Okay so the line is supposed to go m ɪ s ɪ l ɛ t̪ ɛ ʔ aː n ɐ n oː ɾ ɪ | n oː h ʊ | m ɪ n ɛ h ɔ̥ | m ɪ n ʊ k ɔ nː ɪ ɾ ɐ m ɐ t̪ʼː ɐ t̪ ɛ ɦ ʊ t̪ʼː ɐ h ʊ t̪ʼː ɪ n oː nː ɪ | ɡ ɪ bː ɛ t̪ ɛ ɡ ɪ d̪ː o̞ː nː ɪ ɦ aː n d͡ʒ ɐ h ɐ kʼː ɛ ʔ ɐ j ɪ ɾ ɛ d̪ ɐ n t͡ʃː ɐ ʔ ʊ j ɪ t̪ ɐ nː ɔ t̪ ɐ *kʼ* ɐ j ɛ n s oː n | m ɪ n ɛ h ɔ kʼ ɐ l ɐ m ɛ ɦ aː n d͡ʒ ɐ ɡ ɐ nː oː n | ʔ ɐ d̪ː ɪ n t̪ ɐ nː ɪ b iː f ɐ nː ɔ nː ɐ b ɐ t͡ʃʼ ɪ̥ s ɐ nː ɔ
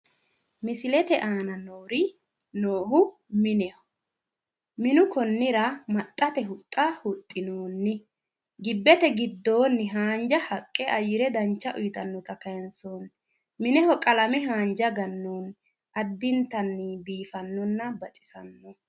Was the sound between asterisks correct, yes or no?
no